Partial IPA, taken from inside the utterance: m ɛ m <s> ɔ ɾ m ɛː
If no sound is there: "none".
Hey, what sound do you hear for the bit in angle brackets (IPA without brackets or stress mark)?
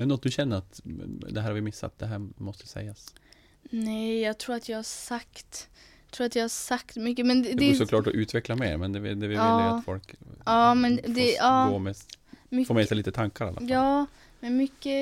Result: f